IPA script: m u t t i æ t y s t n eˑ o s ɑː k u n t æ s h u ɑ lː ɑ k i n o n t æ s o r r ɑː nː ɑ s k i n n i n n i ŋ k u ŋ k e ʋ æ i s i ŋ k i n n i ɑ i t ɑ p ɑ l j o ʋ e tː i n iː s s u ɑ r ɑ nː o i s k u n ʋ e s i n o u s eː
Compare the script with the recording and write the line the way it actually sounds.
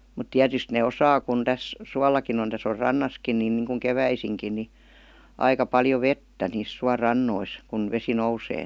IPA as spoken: m u t t i æ t y s t n eˑ o s ɑː k u n t æ s s u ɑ lː ɑ k i n o n t æ s o r r ɑ nː ɑ s k i n n i n n i ŋ k u ŋ k e ʋ æ i s i ŋ k i n n i ɑ i k ɑ p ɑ l j o ʋ e tː æ n iː s s u ɑ r ɑ nː o i s k u n ʋ e s i n o u s eː

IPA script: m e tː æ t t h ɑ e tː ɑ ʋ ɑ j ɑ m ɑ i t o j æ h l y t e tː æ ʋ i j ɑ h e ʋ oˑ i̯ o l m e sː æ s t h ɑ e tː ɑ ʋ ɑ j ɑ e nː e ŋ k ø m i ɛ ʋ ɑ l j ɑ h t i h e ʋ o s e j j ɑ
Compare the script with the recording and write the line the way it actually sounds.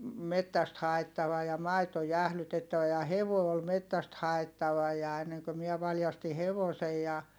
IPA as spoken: m e tː æ s t h ɑ e tː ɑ ʋ ɑ j ɑ m ɑ i t o j æ h l y t e tː æ ʋ æ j ɑ h e ʋ oˑ i̯ o l m e tː æ s t h ɑ e tː ɑ ʋ ɑ j ɑ e nː e ŋ k ø m i ɛ ʋ ɑ l j ɑ s t i h e ʋ o s e j j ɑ

